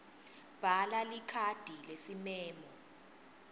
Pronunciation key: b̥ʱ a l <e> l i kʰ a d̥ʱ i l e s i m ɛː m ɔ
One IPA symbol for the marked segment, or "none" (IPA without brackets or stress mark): a